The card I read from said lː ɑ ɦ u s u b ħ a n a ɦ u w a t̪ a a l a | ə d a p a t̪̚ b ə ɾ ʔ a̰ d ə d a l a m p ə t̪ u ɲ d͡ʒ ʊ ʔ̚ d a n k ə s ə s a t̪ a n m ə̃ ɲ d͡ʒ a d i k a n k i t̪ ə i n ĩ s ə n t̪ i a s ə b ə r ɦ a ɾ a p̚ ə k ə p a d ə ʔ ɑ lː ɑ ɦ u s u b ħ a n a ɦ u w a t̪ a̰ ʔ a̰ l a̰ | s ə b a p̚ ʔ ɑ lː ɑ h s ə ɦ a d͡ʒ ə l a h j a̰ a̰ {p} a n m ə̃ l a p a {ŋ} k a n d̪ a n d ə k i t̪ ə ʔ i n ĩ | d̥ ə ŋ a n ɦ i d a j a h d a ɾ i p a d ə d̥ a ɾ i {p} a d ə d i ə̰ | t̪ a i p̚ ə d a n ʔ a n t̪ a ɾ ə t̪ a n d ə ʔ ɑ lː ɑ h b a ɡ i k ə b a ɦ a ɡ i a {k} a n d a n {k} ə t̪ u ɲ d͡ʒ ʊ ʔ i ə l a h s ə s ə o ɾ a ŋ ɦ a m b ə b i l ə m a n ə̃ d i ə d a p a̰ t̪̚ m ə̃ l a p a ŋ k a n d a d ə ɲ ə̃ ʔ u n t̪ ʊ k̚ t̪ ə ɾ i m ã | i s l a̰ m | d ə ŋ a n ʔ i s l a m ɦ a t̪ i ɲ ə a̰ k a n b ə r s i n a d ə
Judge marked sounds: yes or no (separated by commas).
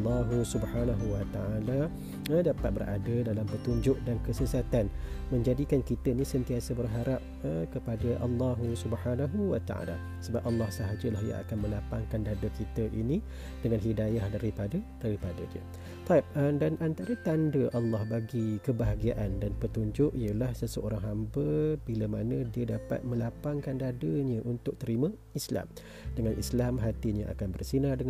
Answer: no, yes, yes, no, no